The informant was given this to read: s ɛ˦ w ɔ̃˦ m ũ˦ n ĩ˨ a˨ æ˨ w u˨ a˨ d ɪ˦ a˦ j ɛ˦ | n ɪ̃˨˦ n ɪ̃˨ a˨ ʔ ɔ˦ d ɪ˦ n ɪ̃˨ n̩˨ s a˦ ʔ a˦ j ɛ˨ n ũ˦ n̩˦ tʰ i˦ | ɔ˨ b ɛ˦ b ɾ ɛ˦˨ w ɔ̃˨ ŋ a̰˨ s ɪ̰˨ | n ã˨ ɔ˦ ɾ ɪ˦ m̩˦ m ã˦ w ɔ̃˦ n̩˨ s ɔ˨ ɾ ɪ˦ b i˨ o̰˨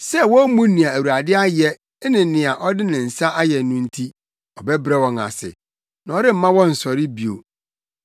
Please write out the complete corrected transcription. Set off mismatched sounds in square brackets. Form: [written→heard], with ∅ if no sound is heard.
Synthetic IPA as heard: s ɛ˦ w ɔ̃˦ m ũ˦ n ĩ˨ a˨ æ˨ w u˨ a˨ d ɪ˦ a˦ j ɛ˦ | n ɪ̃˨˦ n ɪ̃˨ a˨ ʔ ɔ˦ d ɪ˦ n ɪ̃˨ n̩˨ s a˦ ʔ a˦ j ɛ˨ n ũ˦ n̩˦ tʰ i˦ | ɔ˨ b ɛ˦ b ɾ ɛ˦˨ w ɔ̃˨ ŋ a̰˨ s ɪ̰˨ | n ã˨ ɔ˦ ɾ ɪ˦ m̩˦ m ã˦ w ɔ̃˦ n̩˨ s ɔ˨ ɾ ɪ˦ b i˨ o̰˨